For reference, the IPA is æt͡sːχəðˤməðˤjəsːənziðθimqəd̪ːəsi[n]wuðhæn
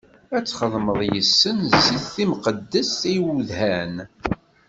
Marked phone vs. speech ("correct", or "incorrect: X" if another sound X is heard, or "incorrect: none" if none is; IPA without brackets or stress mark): incorrect: none